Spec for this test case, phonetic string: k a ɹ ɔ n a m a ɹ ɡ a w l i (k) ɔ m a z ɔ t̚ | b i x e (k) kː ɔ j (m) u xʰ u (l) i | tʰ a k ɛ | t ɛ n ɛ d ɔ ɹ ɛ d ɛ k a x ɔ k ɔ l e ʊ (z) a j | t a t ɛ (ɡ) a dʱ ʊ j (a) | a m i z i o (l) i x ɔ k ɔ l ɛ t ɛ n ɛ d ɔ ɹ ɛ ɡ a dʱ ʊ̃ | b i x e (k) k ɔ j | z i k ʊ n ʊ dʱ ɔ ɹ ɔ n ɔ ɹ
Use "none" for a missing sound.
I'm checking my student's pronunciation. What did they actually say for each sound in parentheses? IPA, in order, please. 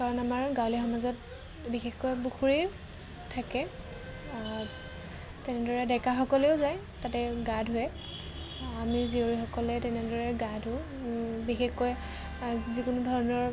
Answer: x, x, b, ɹ, z, ɡ, ɛ, ɹ, x

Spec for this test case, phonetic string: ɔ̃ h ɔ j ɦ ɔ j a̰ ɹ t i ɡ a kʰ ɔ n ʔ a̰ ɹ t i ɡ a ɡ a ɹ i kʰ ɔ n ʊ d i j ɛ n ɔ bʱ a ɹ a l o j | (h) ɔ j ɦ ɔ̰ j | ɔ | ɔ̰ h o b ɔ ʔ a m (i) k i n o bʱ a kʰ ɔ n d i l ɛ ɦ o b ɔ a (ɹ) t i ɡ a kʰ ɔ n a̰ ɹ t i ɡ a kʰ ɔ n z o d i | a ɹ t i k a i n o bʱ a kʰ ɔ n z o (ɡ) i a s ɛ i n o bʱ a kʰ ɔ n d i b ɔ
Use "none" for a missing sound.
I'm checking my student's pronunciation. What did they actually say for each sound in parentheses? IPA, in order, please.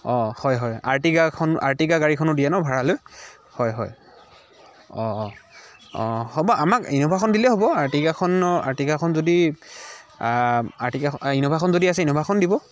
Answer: h, a, ɹ, d

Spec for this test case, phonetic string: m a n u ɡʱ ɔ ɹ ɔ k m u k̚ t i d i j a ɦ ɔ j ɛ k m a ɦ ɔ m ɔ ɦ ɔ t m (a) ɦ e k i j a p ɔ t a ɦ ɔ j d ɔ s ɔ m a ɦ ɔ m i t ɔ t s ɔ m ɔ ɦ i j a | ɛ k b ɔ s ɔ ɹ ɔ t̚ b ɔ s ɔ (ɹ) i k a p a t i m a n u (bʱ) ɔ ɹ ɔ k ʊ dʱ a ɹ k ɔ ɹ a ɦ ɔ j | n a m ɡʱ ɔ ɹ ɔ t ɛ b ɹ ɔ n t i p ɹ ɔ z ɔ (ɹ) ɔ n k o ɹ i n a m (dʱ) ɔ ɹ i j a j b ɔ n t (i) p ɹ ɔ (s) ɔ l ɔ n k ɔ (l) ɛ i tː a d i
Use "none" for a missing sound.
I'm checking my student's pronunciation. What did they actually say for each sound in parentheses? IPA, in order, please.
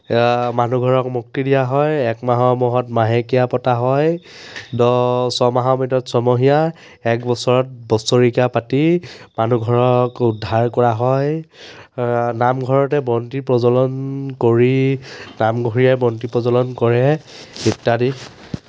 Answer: a, ɹ, ɡʱ, l, ɡʱ, i, z, ɹ

